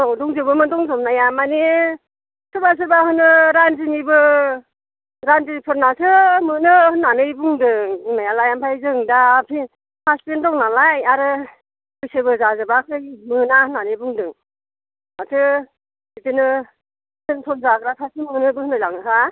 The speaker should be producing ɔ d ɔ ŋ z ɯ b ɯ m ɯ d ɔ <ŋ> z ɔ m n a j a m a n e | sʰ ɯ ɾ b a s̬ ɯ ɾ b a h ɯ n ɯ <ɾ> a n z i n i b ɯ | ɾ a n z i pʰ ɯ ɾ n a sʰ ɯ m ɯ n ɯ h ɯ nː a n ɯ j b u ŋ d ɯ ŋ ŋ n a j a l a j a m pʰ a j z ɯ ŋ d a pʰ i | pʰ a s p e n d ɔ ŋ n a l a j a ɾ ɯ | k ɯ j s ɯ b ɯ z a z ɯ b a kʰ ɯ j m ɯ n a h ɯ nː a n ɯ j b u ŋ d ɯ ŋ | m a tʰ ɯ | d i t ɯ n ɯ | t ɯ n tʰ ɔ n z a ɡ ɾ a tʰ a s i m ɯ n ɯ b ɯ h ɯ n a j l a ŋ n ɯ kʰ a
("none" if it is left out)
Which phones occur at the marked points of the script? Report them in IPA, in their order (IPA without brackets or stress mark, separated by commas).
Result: ŋ, ɾ